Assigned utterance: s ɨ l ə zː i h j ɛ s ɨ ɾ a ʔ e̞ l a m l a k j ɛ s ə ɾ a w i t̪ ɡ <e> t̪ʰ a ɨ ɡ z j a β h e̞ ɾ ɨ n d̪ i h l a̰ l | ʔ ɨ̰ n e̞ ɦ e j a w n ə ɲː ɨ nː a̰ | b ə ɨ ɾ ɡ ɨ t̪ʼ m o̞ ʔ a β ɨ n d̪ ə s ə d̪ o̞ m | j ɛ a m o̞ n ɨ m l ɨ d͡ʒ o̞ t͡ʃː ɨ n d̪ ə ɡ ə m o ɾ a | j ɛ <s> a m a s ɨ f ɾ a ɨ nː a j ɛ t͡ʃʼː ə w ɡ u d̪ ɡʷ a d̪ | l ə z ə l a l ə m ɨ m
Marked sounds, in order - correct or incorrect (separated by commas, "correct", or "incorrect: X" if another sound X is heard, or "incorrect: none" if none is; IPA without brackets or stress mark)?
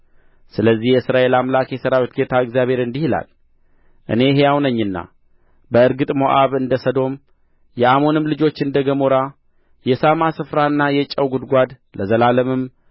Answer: correct, correct